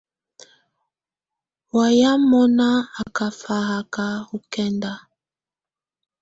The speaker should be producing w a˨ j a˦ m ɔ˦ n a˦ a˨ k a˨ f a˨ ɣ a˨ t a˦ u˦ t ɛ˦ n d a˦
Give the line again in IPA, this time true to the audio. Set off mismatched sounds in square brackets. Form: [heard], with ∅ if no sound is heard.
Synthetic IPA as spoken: w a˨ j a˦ m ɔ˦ n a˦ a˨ k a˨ f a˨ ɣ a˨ [k] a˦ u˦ [k] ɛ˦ n d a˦